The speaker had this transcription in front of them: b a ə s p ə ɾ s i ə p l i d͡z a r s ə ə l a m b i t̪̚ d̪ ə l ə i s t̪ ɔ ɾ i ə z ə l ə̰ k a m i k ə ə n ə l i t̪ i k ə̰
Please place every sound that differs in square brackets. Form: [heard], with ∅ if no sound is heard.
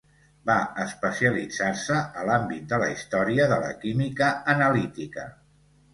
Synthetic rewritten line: b a ə s p ə [∅] s i ə [∅] l i d͡z a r s ə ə l a m b i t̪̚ d̪ ə l ə i s t̪ ɔ ɾ i ə [ð] ə l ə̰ k [i] m i k ə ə n ə l i t̪ i k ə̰